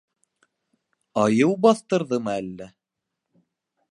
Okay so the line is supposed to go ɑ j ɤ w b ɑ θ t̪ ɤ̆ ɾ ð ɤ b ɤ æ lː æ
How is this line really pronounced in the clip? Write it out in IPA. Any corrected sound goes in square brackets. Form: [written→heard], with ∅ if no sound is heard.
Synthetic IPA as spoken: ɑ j ɤ w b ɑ θ t̪ ɤ̆ ɾ ð ɤ [b→m] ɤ æ lː æ